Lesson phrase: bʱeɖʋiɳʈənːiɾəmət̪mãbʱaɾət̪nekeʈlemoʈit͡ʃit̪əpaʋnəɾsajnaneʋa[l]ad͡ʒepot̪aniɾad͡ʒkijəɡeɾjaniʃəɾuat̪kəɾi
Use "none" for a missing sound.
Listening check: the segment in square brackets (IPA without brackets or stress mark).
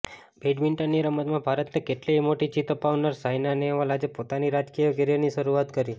l